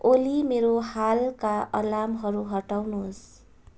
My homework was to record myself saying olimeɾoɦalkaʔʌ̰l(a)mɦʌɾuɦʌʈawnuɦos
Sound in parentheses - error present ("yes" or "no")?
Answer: no